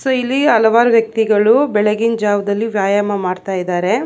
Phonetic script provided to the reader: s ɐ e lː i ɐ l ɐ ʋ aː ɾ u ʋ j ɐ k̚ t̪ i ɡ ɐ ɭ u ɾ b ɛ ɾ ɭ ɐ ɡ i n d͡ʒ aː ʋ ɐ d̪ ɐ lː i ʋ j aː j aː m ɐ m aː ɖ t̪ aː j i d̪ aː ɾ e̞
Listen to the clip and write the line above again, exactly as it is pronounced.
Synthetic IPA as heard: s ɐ i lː i ɐ l ɐ ʋ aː ɾ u ʋ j ɐ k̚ t̪ i ɡ ɐ ɭ u b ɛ ɭ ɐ ɡ i n d͡ʒ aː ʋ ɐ d̪ ɐ lː i ʋ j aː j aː m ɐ m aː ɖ t̪ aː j i d̪ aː ɾ e̞